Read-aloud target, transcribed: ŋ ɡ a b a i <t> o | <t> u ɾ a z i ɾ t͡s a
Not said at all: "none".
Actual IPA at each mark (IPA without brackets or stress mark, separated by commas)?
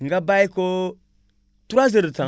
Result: k, t